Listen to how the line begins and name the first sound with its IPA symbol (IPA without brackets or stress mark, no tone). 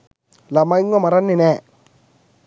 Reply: l